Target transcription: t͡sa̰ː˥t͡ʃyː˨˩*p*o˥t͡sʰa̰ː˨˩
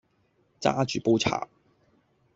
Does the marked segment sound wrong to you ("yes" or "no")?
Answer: no